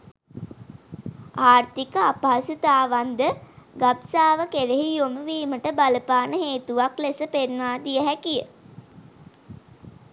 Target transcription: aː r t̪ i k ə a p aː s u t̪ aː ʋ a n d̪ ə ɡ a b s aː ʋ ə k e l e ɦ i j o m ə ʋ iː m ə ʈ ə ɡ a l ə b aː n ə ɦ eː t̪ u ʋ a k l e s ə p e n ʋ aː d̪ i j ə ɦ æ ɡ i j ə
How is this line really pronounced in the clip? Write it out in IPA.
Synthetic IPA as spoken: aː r t̪ i k ə a p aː s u t̪ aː ʋ a n d̪ ə ɡ a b s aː ʋ ə k e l e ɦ i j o m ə ʋ iː m ə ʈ ə b a l ə p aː n ə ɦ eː t̪ u ʋ a k l e s ə p e n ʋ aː d̪ i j ə ɦ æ k i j ə